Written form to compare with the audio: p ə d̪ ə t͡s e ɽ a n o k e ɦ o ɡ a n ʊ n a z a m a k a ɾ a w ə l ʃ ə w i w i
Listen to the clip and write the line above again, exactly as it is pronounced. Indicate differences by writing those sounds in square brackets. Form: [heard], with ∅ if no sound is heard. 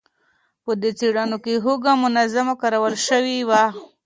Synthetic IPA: p ə d̪ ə t͡s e ɽ a n o k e ɦ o ɡ a [m] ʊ n a z a m a k a ɾ a w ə l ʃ ə w i w [a]